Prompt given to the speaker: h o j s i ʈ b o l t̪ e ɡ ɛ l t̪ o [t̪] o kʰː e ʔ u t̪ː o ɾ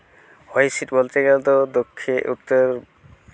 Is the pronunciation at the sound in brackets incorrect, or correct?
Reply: incorrect